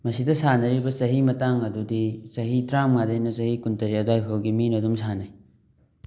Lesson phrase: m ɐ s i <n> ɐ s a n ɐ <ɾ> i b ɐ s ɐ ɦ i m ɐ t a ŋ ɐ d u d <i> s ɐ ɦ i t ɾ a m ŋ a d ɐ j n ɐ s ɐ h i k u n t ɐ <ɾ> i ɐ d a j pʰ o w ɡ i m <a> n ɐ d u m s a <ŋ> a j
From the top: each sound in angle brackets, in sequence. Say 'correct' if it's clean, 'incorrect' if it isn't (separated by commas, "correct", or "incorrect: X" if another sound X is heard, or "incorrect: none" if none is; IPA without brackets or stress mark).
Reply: incorrect: d, correct, correct, correct, incorrect: i, incorrect: n